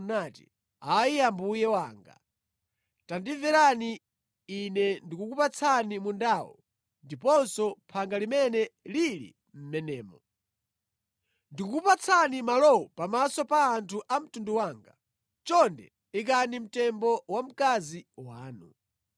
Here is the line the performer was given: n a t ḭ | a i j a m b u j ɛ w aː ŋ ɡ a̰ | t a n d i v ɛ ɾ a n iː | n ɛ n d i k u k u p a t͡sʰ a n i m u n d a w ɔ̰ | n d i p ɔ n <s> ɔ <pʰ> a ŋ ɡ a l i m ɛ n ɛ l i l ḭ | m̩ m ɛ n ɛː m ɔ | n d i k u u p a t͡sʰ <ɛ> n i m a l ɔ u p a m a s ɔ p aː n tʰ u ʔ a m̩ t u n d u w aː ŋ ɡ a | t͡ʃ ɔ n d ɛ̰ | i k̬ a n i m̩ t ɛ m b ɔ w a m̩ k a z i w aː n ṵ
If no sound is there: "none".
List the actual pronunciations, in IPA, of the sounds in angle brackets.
s, pʰ, a

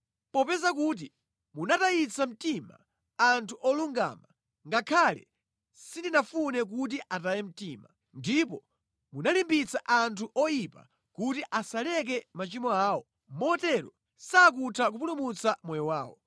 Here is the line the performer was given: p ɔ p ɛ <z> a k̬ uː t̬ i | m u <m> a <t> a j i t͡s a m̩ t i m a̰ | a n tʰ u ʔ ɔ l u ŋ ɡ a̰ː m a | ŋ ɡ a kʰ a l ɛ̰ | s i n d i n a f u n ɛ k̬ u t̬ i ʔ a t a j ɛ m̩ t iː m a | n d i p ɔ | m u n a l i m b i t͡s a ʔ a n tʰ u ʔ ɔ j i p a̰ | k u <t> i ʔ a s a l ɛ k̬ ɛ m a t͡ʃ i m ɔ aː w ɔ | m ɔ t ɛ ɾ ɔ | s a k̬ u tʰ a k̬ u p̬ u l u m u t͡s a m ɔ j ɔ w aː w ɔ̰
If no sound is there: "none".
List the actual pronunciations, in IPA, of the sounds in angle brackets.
z, n, t, t

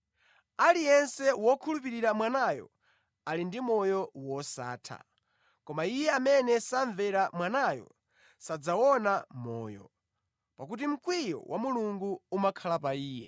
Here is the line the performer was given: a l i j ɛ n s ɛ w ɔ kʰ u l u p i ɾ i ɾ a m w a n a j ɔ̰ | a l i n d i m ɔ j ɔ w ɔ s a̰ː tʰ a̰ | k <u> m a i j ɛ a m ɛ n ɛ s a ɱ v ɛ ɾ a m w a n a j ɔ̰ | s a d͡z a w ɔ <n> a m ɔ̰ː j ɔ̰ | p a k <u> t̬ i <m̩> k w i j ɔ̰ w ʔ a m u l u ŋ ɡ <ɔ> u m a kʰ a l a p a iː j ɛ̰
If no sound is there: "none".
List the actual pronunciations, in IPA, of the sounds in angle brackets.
ɔ, n, u, m̩, u

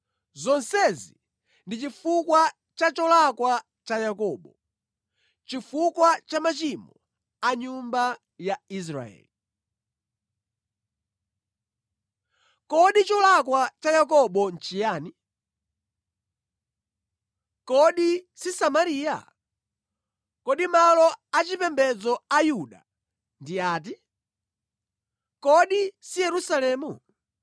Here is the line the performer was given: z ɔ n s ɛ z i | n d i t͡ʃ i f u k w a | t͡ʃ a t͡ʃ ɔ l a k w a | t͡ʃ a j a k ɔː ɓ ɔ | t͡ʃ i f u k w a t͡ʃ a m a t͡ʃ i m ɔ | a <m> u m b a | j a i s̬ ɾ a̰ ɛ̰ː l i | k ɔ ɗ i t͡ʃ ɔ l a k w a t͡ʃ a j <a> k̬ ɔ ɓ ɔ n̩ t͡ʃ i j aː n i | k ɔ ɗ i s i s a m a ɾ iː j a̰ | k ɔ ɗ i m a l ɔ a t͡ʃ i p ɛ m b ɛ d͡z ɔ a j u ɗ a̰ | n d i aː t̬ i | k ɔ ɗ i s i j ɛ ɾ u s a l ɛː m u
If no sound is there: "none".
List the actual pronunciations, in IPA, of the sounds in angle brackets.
ɲ, a

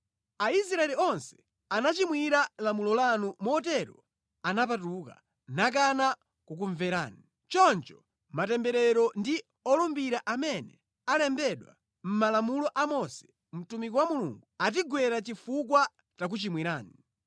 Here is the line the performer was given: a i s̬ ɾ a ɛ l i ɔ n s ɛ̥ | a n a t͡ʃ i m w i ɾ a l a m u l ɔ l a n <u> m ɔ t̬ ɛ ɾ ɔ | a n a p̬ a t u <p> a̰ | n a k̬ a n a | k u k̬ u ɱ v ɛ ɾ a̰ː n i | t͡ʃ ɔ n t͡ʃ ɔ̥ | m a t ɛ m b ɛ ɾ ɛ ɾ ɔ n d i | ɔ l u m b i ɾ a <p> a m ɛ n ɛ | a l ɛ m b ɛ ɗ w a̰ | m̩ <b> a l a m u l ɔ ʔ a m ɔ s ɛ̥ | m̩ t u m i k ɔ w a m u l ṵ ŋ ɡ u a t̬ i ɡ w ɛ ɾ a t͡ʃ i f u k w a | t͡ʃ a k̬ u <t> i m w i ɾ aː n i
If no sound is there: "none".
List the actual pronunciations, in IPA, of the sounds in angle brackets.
u, k, ʔ, m, t͡ʃ

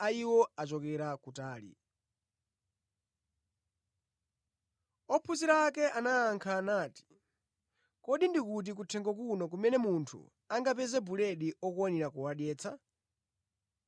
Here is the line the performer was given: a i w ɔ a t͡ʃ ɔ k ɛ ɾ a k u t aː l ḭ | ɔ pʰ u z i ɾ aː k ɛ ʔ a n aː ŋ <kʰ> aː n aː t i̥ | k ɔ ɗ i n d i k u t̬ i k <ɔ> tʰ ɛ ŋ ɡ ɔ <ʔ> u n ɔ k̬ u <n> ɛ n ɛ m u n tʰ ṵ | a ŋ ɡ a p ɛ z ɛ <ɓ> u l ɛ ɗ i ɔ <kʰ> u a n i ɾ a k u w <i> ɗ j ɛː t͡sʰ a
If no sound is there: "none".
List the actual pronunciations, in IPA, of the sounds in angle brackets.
kʰ, u, k, m, b, k, a

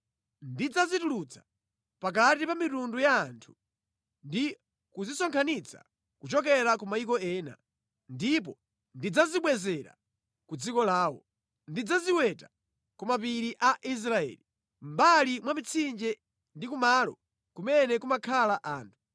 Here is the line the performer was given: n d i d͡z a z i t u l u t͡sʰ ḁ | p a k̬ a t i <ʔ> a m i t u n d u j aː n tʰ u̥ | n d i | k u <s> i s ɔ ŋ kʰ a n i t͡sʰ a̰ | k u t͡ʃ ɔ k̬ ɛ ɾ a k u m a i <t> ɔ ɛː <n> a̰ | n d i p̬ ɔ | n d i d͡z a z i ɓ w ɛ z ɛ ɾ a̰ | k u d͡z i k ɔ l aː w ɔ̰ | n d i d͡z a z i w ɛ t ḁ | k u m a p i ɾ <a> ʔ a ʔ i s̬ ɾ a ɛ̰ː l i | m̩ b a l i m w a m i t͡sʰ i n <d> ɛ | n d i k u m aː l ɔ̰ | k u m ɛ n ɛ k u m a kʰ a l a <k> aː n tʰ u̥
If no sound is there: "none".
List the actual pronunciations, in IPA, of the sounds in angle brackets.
p, z, k, n, i, d͡ʒ, ʔ

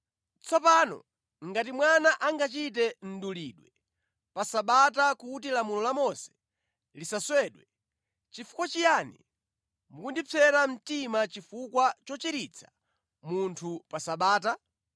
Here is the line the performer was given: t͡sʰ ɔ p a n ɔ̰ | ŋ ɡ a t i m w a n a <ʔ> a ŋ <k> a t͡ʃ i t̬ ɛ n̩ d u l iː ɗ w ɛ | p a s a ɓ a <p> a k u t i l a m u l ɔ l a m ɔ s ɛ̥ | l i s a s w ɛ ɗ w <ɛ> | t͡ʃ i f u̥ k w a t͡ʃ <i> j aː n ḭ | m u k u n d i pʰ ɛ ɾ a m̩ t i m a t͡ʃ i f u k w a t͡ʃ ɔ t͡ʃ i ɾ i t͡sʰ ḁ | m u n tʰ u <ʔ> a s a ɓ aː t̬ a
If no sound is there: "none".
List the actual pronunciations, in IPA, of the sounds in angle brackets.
ʔ, ɡ, t, ɛ, i, p

